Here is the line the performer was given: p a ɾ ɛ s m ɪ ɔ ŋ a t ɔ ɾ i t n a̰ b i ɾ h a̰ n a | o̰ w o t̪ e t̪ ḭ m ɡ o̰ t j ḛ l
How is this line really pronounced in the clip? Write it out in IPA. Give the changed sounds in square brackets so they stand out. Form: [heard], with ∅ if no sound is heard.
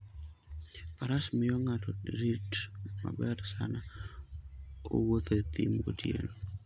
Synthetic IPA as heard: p a ɾ [a] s m ɪ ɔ ŋ a t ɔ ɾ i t [m] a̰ b [ɛ] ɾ [s] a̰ n a | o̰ w o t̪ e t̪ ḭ m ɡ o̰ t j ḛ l